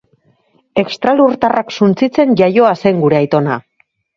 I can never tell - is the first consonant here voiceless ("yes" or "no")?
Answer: yes